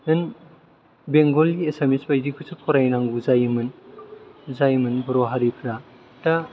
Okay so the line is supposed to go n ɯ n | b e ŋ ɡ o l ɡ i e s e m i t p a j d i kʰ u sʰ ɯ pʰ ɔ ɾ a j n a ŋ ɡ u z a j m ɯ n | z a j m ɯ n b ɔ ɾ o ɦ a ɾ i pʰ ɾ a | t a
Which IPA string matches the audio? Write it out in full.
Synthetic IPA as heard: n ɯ n | b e ŋ ɡ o l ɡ i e s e m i s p a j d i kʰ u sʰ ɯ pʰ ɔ ɾ a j n a ŋ ɡ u z a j m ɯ n | z a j m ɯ n b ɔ ɾ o ɦ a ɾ i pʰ ɾ a | t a